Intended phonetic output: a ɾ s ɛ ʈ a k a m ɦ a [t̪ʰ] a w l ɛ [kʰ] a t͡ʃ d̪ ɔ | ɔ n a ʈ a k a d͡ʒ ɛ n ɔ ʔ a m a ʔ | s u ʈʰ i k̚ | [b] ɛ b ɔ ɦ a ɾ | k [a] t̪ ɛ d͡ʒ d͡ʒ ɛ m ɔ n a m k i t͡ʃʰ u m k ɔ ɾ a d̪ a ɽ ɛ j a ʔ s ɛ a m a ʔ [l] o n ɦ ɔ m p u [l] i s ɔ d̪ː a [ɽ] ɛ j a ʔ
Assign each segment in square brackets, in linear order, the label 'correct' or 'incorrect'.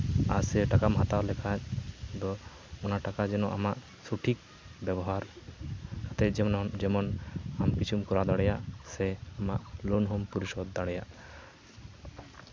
incorrect: t̪, correct, correct, correct, correct, incorrect: ɾ, correct

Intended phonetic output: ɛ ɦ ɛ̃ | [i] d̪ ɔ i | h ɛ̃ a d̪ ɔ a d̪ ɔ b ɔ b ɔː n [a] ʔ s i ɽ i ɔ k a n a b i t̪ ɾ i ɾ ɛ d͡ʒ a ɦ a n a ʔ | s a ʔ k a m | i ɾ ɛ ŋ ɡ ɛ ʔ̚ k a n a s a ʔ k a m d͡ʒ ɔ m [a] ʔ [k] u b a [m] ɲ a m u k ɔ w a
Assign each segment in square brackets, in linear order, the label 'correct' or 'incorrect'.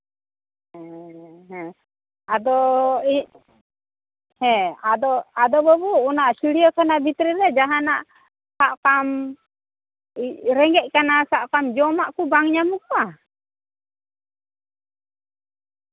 incorrect: a, correct, correct, correct, incorrect: ŋ

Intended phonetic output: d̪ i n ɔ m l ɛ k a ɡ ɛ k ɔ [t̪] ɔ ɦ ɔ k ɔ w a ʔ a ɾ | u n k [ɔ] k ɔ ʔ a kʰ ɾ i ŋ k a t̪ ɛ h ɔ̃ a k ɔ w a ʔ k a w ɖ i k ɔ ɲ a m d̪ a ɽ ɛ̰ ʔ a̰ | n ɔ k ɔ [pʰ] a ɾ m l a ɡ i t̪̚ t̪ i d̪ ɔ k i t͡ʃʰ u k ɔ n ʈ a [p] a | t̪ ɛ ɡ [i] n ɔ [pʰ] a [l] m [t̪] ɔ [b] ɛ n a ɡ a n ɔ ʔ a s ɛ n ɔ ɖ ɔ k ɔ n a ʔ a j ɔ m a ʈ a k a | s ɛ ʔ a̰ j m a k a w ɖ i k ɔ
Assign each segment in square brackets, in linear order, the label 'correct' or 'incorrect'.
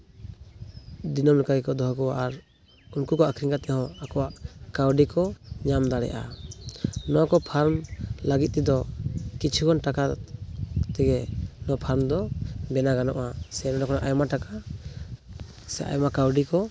incorrect: d̪, incorrect: u, correct, incorrect: k, incorrect: ɛ, correct, incorrect: ɾ, incorrect: d̪, correct

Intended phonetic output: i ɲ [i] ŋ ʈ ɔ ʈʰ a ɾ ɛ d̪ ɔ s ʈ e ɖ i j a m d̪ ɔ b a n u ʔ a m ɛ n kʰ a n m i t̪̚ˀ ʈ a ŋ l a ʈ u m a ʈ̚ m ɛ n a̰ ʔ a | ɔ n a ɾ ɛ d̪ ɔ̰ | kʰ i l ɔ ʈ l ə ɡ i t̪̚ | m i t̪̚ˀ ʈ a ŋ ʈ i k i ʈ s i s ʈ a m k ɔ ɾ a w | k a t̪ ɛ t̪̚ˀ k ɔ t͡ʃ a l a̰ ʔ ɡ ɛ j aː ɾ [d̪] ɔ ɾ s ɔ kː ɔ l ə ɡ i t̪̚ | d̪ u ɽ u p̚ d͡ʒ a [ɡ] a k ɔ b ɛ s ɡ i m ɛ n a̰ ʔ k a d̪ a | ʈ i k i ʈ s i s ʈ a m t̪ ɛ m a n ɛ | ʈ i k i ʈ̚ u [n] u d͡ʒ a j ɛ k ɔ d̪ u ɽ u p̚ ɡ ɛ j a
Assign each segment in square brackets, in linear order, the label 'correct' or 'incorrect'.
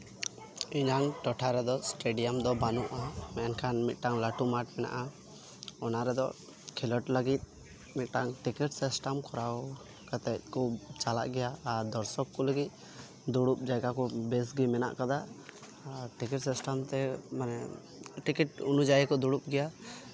incorrect: a, correct, correct, correct

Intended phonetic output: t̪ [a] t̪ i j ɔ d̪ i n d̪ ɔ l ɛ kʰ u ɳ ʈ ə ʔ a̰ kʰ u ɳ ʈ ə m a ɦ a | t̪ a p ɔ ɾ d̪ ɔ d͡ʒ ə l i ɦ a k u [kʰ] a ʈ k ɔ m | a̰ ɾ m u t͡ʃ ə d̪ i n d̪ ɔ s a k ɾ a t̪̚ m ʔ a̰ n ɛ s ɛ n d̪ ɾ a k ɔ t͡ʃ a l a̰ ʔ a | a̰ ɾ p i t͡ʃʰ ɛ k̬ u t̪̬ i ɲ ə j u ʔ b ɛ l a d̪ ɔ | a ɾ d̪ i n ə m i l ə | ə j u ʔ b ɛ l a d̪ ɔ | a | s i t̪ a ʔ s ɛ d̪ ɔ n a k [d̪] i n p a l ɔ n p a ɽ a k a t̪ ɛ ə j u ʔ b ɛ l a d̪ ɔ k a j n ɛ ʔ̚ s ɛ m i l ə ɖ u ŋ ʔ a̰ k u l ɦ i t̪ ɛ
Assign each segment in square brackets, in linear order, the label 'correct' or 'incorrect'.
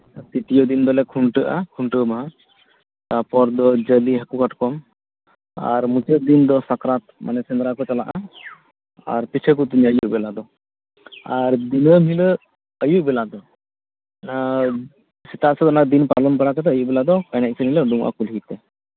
incorrect: i, incorrect: k, correct

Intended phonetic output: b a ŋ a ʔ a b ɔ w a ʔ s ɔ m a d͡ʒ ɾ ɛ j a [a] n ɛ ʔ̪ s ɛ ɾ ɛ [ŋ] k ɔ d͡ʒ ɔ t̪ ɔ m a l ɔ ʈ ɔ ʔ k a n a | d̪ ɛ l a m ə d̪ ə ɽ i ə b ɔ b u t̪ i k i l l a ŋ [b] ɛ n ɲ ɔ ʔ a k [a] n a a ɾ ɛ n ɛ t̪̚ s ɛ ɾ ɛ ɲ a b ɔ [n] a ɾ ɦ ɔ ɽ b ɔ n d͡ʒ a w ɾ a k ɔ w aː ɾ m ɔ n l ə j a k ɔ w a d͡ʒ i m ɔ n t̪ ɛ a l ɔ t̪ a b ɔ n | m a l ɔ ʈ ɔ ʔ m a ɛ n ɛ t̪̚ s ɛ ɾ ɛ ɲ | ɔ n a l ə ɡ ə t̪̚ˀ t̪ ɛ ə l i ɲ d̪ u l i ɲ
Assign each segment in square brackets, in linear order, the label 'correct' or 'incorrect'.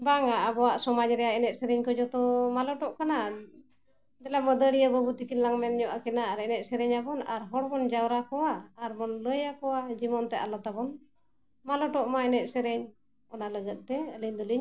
incorrect: ɛ, incorrect: ɲ, incorrect: m, incorrect: ɛ, correct

